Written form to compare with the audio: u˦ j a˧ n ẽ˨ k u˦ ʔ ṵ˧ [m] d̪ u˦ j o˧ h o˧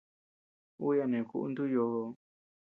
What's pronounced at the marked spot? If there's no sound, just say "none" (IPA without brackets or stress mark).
n